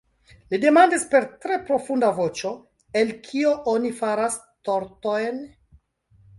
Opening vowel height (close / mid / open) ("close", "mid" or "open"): close